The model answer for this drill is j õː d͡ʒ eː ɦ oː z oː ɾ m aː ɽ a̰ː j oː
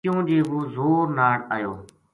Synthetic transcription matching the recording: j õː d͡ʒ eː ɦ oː z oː ɾ n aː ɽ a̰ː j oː